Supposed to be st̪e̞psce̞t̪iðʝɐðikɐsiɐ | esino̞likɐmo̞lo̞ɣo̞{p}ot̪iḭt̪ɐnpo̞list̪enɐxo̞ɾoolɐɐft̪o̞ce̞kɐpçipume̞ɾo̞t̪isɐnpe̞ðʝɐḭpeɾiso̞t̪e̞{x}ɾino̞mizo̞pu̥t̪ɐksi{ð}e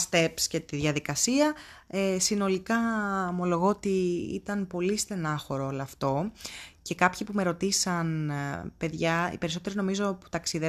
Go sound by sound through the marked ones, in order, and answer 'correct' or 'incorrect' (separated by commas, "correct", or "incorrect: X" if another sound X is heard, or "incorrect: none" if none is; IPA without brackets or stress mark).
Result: incorrect: none, incorrect: none, correct